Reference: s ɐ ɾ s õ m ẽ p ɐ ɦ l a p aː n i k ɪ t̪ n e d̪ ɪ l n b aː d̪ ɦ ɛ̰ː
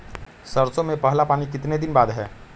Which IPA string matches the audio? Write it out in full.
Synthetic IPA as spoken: s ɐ ɾ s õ m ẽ p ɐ ɦ l a p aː n i k ɪ t̪ n e d̪ ɪ n b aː d̪ ɦ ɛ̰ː